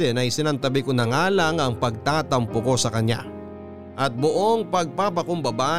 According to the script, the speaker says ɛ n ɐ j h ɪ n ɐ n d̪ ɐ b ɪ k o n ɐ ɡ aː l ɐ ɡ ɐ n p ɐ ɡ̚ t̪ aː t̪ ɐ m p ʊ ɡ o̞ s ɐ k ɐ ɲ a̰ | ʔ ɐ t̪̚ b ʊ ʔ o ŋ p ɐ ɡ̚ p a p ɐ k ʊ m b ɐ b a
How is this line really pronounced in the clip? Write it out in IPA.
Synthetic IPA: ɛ n ɐ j s ɪ n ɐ n t̪ ɐ b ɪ k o n ɐ ŋ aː l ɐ ŋ ɐ ŋ p ɐ ɡ̚ t̪ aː t̪ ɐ m p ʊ k o̞ s ɐ k ɐ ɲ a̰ | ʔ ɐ t̪̚ b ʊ ʔ o ŋ p ɐ ɡ̚ p a p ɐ k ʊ m b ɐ b a